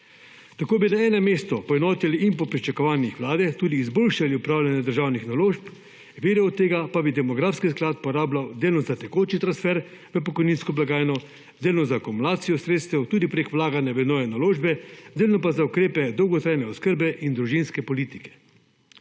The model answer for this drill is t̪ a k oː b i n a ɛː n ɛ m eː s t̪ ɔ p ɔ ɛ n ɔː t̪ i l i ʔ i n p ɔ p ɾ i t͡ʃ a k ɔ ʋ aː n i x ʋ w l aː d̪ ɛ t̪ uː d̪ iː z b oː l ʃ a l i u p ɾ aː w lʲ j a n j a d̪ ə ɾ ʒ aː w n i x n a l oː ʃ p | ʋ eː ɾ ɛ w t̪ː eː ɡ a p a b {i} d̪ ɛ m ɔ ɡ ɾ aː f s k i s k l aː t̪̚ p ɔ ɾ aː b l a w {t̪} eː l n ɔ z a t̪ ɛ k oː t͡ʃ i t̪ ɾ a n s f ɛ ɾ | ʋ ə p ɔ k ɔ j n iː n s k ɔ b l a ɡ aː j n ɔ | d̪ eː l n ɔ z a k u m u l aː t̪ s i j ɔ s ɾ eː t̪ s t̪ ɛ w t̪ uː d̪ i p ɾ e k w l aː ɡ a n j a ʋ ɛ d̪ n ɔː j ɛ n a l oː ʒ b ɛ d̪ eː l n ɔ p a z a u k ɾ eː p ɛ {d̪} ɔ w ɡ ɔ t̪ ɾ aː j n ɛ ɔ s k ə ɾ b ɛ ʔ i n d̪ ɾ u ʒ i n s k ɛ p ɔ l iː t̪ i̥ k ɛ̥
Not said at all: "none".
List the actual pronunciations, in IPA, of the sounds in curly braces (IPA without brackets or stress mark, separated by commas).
i, d̪, d̪